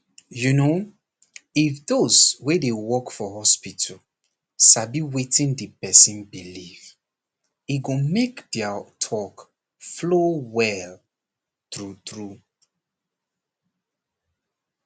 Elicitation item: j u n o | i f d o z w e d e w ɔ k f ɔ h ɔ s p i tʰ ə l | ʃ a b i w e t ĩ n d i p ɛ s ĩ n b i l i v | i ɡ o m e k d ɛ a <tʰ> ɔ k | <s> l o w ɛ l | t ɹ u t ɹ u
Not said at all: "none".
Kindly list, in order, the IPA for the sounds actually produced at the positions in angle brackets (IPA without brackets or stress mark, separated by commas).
tʰ, f